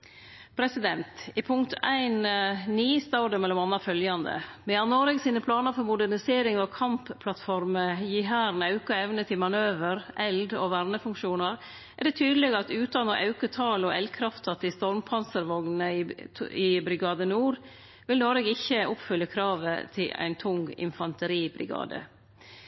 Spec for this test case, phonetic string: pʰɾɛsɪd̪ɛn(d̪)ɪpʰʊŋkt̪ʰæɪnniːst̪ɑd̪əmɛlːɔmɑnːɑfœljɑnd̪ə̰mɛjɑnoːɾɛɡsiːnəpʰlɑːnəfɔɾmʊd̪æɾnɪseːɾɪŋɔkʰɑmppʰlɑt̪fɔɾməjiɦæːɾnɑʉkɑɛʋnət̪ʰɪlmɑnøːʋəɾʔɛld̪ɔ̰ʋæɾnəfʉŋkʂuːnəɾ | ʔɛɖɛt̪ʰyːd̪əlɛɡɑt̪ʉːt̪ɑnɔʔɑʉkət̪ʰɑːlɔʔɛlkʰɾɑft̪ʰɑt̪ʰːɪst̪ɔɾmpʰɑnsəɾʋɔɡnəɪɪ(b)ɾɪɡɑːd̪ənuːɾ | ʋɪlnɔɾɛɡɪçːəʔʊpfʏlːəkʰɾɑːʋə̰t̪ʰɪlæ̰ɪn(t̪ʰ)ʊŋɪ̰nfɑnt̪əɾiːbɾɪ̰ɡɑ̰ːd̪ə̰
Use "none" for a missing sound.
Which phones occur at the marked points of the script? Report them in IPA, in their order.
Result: t̪, b, t̪ʰ

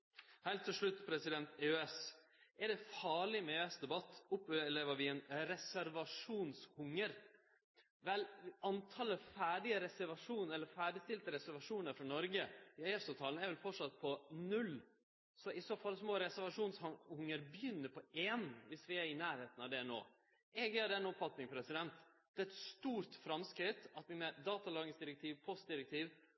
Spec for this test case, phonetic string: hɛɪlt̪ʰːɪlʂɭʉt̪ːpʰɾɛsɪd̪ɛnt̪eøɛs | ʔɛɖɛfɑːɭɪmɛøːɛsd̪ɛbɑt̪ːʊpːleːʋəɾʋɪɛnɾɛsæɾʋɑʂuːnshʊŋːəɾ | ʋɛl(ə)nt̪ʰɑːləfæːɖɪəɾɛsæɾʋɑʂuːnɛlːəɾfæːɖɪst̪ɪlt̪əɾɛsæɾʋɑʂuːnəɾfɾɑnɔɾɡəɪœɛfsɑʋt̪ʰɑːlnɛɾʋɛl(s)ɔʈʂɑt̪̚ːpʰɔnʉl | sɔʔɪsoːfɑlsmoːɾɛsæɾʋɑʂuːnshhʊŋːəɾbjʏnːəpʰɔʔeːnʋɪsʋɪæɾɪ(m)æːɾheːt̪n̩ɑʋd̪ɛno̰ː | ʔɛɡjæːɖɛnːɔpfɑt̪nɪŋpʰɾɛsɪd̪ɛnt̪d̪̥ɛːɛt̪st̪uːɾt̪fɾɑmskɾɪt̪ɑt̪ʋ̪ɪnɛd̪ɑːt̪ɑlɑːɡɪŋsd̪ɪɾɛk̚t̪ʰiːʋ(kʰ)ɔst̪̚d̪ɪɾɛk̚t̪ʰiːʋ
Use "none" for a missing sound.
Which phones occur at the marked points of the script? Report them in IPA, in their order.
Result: ɑ, f, n, pʰ

